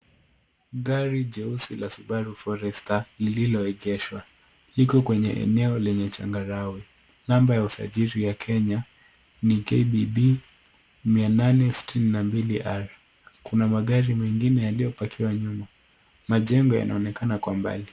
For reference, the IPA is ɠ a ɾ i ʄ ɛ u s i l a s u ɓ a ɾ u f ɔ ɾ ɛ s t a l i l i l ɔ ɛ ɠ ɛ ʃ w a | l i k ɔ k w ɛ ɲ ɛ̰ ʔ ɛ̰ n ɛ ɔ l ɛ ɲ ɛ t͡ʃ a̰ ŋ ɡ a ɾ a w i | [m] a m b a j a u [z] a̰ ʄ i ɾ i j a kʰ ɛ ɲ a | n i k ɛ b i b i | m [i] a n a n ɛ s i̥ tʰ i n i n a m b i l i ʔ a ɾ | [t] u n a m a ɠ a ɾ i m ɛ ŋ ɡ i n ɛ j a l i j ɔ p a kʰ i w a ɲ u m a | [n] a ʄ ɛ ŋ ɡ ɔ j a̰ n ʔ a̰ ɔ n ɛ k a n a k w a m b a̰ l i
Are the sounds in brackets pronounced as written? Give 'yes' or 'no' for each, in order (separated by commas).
no, no, yes, no, no